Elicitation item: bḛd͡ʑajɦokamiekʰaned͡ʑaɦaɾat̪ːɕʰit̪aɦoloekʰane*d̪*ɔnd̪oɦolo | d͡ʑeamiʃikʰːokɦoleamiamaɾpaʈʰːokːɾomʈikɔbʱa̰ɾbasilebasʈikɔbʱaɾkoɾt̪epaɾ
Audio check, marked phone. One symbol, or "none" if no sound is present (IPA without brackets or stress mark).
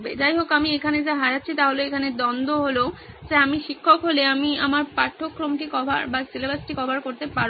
d̪